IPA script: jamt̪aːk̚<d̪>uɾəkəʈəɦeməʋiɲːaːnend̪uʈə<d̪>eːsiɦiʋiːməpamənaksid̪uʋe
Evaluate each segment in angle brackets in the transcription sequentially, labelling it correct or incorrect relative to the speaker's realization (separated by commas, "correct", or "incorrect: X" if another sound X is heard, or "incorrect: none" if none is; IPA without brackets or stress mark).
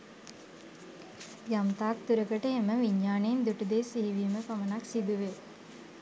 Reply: incorrect: t̪, correct